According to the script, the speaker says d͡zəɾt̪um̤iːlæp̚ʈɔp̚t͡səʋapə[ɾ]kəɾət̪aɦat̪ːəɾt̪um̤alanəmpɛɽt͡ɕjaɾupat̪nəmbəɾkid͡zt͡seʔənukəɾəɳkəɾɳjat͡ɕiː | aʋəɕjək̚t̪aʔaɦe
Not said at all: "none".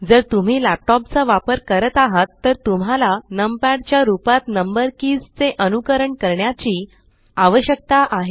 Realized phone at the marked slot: ɾ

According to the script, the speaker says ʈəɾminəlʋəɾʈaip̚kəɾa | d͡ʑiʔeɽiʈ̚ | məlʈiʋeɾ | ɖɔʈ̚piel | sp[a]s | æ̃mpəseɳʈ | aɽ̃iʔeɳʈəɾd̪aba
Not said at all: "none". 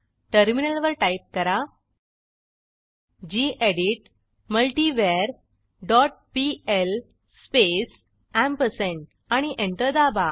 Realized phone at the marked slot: e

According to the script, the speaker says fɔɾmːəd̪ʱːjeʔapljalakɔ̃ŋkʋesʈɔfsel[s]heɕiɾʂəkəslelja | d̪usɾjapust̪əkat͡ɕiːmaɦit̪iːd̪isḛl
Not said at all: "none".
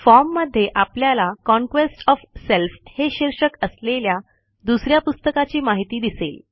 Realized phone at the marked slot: f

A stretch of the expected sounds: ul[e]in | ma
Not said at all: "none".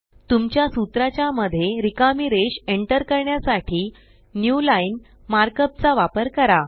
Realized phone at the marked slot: a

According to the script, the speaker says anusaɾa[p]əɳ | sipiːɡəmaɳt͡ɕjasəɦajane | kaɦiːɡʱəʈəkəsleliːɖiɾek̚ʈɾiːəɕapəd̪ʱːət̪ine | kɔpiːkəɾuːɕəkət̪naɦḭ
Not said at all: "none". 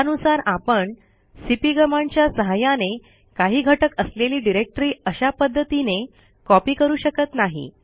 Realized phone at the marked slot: p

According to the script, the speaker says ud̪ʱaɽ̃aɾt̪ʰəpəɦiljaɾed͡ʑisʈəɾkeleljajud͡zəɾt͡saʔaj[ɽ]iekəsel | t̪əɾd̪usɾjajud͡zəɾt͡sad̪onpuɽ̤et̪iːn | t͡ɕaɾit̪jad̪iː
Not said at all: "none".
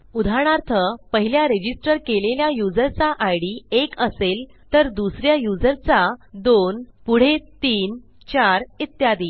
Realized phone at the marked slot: ɽ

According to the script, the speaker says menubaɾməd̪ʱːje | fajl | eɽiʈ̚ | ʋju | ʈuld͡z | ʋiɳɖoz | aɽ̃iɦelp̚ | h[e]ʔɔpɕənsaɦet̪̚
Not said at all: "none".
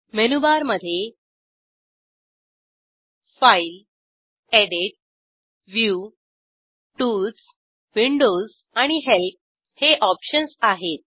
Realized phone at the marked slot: e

